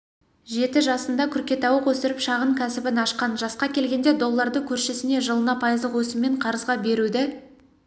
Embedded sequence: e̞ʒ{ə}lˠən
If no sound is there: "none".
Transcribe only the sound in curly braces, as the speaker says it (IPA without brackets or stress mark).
ə